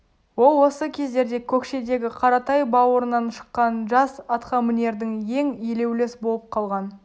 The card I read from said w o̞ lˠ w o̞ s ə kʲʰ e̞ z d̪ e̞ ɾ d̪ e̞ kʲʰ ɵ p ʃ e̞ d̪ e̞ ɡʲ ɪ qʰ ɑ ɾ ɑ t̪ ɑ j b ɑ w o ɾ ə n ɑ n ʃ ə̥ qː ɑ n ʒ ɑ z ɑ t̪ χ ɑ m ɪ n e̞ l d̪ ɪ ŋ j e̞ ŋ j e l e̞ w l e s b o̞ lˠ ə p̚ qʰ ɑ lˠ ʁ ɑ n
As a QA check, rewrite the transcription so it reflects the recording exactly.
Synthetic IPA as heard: w o̞ lˠ w o̞ s ə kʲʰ e̞ z d̪ e̞ ɾ d̪ e̞ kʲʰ ɵ k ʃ e̞ d̪ e̞ ɡʲ ɪ qʰ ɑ ɾ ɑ t̪ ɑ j b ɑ w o ɾ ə n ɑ n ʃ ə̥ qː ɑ n ʒ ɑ s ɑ t̪ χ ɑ m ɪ n e̞ ɾ d̪ ɪ ŋ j e̞ ŋ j e l e̞ w l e s b o̞ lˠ ə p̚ qʰ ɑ lˠ ʁ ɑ n